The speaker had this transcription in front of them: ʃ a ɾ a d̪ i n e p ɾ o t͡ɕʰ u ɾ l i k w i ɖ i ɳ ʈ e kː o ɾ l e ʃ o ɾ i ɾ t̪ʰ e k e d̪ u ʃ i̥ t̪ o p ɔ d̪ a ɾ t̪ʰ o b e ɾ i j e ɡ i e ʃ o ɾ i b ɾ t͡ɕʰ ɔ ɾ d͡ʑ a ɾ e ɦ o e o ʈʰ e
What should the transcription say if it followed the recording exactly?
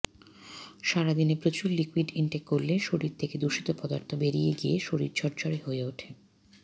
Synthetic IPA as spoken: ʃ a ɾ a d̪ i n e p ɾ o t͡ɕ u ɾ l i k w i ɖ i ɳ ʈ e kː o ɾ l e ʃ o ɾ i ɾ t̪ʰ e k e d̪ u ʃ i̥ t̪ o p ɔ d̪ a ɾ t̪ʰ o b e ɾ i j e ɡ i e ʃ o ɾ i ɾ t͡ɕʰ ɔ ɾ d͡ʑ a ɾ e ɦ o e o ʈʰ e